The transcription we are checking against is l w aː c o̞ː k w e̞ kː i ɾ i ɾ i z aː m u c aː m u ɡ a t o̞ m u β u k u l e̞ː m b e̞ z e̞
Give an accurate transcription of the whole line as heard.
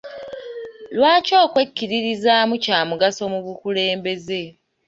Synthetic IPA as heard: l w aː c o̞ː k w e̞ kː i ɾ i ɾ i z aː m u c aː m u ɡ a s o̞ m u β u k u l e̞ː m b e̞ z e̞